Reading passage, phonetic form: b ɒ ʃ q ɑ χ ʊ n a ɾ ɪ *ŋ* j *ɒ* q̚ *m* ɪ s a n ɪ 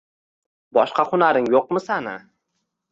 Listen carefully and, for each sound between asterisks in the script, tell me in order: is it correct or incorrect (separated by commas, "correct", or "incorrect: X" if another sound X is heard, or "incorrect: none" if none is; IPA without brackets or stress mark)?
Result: correct, incorrect: o, correct